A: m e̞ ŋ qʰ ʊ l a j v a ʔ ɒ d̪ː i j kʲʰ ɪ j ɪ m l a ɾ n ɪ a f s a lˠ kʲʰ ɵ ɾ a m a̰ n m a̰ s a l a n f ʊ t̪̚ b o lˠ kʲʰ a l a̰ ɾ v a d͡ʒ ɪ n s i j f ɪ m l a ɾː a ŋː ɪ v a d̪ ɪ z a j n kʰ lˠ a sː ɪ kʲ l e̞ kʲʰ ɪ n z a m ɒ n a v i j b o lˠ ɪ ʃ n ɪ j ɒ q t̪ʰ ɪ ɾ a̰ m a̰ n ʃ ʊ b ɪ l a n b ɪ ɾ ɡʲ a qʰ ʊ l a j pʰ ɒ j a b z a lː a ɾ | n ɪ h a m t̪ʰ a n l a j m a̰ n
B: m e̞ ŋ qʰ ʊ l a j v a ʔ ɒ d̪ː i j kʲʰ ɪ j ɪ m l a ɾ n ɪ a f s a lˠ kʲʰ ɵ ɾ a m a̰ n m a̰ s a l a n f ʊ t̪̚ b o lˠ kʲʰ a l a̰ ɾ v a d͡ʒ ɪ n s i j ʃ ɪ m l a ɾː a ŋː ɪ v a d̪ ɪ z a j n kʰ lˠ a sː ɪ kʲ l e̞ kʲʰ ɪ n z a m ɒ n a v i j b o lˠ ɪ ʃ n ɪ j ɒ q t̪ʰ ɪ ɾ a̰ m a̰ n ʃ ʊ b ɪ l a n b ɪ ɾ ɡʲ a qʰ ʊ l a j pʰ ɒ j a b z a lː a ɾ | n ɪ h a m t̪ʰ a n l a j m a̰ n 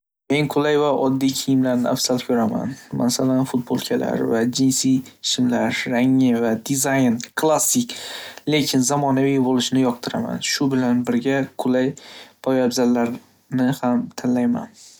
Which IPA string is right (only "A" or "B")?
B